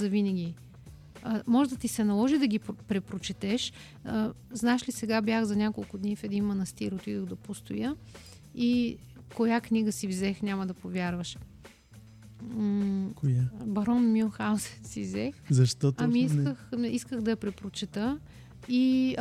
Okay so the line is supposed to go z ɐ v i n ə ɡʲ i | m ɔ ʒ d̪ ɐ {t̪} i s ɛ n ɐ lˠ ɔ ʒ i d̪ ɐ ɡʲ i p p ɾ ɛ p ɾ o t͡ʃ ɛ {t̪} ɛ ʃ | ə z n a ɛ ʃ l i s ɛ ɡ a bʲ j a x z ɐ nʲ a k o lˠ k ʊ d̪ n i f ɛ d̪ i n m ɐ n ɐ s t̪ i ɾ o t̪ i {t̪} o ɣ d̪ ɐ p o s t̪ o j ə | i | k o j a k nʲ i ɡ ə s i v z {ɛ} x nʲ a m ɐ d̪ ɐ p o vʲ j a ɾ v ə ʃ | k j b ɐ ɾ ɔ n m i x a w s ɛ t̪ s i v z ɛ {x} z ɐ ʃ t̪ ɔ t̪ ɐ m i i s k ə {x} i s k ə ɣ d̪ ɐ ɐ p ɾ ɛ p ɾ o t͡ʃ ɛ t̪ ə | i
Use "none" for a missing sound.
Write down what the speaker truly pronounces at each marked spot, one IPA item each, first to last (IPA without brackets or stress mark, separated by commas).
t̪, t̪, d̪, ɛ, x, x